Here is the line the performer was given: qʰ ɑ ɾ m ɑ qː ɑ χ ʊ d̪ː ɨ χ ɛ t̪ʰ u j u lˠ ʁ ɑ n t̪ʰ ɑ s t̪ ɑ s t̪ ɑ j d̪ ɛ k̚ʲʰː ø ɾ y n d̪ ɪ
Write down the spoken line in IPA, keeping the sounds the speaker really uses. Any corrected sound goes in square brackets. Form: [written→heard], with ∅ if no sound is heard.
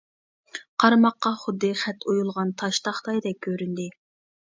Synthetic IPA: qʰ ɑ ɾ m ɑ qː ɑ χ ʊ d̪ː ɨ χ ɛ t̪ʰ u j u lˠ ʁ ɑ n t̪ʰ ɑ [s→ʃ] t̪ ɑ [s→χ] t̪ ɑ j d̪ ɛ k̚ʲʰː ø ɾ y n d̪ ɪ